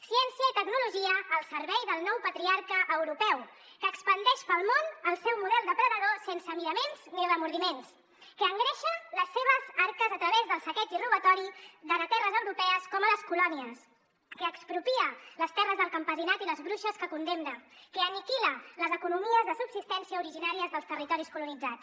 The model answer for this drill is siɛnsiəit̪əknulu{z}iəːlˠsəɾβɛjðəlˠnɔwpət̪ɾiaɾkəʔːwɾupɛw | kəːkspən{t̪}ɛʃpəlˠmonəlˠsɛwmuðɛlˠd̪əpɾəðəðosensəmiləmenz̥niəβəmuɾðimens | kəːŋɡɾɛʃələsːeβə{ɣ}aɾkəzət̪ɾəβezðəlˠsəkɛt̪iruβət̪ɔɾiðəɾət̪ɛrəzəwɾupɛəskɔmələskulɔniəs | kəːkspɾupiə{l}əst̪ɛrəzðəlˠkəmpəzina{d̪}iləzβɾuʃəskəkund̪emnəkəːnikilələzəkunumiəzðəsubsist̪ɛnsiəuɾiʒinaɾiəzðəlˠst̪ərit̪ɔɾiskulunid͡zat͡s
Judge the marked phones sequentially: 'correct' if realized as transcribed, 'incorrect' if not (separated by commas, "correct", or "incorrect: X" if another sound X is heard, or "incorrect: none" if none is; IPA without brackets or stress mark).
incorrect: ʒ, incorrect: d̪, incorrect: z, correct, incorrect: t̪